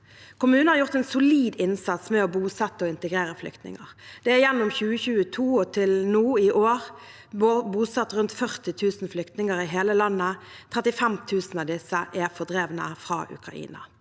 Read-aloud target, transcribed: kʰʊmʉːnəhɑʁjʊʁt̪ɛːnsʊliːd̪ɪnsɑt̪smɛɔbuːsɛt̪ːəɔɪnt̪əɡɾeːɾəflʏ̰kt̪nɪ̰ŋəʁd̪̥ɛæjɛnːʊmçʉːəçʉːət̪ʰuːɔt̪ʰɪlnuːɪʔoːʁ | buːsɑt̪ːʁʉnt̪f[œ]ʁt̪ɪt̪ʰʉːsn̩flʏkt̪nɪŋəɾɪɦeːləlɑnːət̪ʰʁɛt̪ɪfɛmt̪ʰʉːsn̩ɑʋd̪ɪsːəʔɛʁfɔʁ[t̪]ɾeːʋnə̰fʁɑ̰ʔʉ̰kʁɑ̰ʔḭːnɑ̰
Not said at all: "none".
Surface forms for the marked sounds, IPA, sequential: œ, d̪

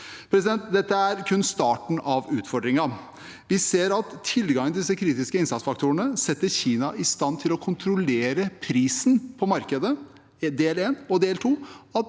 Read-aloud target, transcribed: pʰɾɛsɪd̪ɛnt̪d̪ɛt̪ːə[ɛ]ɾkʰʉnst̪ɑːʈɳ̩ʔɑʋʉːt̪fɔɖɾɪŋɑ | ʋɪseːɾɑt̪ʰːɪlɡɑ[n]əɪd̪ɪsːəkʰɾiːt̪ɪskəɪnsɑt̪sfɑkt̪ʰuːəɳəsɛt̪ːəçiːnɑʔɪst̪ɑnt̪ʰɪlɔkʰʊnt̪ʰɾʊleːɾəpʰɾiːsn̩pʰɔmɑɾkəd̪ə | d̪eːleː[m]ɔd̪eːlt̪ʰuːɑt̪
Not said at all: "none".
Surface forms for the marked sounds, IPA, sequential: æ, ŋ, n

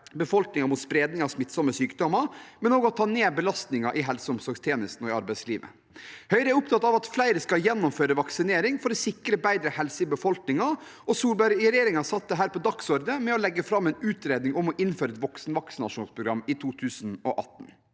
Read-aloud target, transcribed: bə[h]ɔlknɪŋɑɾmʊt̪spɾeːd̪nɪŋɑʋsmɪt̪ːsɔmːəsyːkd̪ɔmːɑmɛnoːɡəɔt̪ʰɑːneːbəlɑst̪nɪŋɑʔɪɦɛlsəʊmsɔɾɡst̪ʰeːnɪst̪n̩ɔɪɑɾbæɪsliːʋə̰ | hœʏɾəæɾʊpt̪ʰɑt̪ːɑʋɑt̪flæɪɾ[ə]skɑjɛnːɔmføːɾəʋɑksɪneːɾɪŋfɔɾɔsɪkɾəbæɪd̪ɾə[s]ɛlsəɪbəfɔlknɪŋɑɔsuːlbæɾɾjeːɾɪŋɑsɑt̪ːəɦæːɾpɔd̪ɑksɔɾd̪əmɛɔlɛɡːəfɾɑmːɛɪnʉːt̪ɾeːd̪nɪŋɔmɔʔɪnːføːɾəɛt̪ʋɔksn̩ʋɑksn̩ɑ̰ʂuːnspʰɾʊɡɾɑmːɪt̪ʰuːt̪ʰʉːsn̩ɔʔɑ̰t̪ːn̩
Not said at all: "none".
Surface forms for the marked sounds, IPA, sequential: f, ə, h

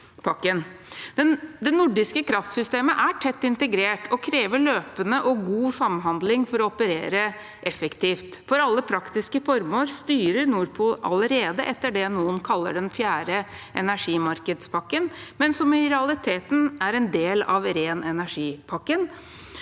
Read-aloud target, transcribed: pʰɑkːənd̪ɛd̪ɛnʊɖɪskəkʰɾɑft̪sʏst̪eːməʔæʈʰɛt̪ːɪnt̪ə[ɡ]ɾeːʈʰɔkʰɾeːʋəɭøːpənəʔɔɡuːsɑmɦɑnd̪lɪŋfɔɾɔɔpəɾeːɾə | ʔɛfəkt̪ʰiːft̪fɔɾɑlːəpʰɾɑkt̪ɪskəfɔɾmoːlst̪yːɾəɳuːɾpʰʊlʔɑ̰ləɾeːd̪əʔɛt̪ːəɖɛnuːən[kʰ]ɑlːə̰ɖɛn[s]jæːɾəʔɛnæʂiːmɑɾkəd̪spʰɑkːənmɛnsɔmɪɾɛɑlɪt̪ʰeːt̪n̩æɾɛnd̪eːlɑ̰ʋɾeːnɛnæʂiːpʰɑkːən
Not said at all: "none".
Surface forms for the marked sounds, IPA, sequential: ɡ, kʰ, f

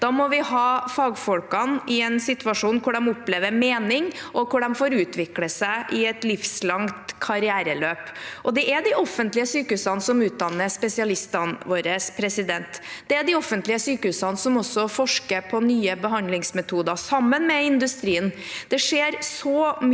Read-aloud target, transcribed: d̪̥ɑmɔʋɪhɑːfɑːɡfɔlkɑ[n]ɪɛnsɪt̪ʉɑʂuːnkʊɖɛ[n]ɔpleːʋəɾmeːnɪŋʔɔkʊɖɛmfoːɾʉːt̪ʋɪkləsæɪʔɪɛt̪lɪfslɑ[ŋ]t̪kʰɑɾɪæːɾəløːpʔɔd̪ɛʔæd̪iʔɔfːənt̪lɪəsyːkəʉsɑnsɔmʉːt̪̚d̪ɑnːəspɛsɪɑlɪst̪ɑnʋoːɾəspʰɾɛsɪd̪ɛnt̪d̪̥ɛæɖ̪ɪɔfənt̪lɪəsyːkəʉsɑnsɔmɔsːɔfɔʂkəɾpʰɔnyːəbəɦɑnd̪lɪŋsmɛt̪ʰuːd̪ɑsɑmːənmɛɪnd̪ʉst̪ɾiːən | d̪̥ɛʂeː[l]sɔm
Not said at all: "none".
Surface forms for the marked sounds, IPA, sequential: n, m, ŋ, ɾ

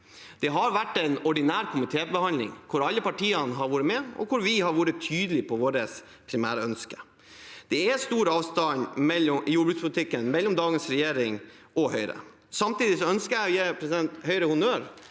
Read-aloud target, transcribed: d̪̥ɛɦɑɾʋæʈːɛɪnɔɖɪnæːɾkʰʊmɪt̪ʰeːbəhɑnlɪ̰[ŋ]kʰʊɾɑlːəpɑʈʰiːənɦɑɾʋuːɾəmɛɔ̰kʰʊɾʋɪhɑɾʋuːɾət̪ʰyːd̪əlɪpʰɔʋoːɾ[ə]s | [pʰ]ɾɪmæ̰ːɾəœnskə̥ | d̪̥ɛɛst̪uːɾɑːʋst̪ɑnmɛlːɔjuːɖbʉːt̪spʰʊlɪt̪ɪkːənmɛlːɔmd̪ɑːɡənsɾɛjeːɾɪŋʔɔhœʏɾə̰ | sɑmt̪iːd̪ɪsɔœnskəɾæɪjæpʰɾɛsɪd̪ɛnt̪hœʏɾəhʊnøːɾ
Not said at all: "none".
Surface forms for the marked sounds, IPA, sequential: ŋ, ə, pʰ

